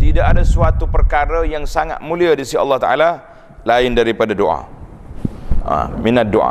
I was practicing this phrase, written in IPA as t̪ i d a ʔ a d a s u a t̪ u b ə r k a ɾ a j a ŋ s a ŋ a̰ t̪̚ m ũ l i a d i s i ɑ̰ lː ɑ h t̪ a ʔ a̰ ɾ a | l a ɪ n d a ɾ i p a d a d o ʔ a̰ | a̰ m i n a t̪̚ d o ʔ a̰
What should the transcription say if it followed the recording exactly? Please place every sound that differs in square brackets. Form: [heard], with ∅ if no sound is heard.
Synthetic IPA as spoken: t̪ i d a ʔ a d a s u a t̪ u [p] ə r k a ɾ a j a ŋ s a ŋ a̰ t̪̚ m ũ l i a d i s i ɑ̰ lː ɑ h t̪ a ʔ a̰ [l] a | l a ɪ n d a ɾ i p a d a d o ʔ a̰ | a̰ m i n a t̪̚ d o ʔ a̰